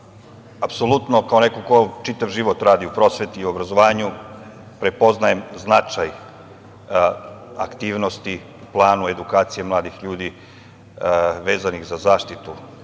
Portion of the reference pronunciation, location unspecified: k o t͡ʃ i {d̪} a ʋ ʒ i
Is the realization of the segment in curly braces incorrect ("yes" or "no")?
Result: yes